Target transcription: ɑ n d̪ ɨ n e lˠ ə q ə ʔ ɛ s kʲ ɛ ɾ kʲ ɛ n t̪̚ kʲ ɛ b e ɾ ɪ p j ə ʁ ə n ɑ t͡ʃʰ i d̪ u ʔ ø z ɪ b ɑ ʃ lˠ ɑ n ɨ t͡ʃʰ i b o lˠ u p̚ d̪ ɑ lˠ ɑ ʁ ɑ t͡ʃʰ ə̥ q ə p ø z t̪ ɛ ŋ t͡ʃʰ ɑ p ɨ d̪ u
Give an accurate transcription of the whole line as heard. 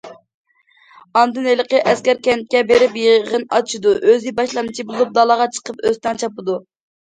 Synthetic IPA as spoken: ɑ n d̪ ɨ n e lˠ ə q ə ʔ ɛ s kʲ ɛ ɾ kʲ ɛ n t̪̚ kʲ ɛ b e ɾ ɪ p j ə ʁ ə n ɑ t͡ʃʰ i d̪ u ʔ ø z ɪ b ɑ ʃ lˠ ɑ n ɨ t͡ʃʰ i b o lˠ u p̚ d̪ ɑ lˠ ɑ ʁ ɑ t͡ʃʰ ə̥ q ə p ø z t̪ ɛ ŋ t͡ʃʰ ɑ p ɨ d̪ u